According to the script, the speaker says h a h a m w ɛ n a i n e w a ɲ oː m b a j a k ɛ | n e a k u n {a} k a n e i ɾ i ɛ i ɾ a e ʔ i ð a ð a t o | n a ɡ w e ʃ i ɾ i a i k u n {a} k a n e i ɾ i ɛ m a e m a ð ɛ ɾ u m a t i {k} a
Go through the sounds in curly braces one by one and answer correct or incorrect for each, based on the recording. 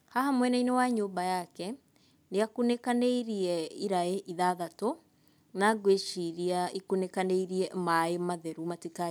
incorrect: e, incorrect: e, correct

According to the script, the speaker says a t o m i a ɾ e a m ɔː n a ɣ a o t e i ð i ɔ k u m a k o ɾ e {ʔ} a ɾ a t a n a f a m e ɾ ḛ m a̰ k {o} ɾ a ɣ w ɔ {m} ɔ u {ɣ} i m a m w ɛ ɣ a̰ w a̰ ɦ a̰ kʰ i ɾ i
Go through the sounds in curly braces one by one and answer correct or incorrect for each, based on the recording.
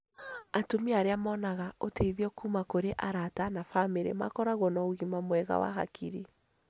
correct, incorrect: ɔ, incorrect: n, correct

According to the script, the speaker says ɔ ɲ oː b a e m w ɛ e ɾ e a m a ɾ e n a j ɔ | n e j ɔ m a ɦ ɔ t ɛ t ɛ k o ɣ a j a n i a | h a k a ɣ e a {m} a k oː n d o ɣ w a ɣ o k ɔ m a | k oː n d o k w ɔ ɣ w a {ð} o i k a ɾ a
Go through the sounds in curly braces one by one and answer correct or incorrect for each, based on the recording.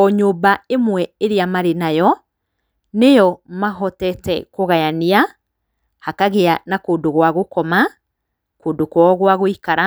incorrect: n, incorrect: ɣ

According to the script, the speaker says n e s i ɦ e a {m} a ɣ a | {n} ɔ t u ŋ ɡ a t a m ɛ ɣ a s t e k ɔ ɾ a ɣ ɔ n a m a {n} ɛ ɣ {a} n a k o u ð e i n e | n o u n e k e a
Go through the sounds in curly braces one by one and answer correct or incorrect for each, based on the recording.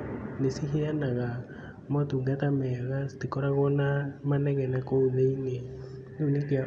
incorrect: n, incorrect: m, correct, incorrect: ɛ

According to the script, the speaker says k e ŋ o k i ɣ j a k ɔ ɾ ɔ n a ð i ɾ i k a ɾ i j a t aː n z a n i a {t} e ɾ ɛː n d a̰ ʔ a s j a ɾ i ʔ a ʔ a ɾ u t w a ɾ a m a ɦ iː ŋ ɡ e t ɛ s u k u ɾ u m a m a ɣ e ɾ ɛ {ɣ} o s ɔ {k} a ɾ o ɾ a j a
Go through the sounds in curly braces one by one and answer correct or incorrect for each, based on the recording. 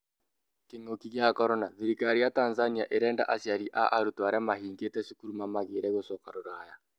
incorrect: ʔ, correct, correct

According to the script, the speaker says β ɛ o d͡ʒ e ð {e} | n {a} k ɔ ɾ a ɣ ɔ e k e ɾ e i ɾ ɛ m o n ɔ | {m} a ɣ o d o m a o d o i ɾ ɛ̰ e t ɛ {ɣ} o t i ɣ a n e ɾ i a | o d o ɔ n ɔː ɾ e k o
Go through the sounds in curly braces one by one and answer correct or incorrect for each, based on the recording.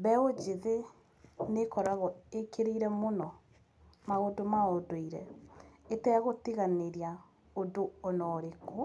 correct, incorrect: e, correct, correct

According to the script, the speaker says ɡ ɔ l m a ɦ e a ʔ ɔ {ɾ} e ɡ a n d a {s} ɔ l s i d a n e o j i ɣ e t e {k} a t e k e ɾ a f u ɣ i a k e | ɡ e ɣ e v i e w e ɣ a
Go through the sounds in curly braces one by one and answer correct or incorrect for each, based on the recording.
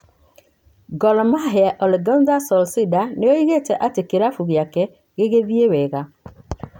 incorrect: l, correct, incorrect: ʔ

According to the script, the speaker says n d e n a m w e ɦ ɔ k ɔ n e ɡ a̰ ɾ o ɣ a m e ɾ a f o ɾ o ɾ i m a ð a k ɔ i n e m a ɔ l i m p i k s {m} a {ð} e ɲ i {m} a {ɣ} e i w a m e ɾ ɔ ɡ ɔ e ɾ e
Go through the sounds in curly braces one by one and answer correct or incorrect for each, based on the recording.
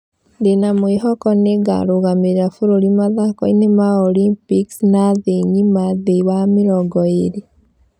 incorrect: n, correct, correct, incorrect: ð

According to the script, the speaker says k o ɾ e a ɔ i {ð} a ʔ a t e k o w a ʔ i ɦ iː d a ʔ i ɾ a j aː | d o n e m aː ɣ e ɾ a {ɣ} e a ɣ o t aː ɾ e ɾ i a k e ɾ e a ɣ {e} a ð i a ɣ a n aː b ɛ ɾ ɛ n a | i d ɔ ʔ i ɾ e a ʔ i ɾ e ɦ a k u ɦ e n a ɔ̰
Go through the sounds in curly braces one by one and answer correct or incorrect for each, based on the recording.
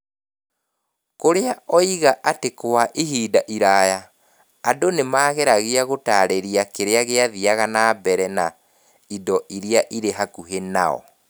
incorrect: ɣ, correct, correct

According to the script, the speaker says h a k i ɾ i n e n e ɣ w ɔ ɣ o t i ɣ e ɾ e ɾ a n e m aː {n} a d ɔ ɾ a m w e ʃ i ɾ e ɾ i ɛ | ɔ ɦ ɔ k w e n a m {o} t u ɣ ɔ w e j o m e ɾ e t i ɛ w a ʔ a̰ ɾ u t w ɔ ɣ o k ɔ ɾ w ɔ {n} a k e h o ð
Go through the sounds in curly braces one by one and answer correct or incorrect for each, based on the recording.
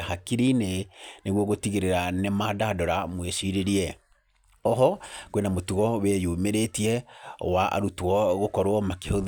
incorrect: d, correct, incorrect: m

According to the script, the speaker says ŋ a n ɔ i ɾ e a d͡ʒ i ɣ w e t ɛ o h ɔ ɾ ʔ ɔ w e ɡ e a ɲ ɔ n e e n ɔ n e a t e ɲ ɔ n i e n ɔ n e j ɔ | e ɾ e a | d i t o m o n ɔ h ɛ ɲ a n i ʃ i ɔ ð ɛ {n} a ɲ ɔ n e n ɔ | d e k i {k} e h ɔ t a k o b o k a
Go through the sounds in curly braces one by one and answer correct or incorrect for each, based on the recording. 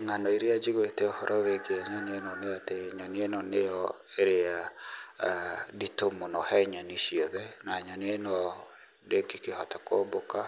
correct, correct

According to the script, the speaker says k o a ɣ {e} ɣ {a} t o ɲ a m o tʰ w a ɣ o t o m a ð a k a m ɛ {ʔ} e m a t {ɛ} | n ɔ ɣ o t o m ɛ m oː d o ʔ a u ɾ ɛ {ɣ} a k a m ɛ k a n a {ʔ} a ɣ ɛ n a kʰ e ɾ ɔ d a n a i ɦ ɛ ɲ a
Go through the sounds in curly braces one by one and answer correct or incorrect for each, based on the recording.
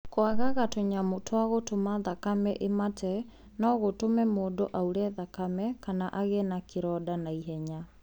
incorrect: a, correct, correct, correct, incorrect: ð, correct

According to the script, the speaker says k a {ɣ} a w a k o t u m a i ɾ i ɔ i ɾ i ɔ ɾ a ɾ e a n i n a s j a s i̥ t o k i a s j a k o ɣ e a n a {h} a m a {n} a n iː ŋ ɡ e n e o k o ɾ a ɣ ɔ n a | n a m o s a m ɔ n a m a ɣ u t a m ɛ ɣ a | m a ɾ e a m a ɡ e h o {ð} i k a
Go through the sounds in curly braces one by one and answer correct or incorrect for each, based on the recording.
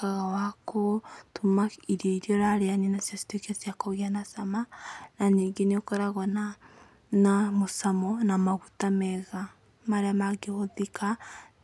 correct, incorrect: s, correct, correct

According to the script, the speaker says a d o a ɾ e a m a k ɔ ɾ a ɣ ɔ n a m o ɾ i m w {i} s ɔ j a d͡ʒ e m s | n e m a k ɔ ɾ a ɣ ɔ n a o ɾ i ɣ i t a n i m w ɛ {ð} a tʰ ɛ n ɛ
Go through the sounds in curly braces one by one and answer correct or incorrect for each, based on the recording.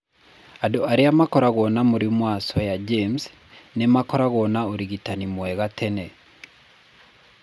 incorrect: a, incorrect: ɣ

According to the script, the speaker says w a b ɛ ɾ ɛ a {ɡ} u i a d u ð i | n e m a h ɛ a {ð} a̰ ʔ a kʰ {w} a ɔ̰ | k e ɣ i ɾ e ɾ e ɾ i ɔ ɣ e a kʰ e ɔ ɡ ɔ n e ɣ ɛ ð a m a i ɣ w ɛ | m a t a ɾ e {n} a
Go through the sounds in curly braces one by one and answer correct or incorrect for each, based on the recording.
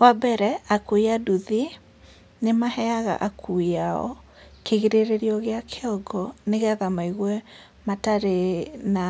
incorrect: k, incorrect: ɣ, incorrect: u, correct

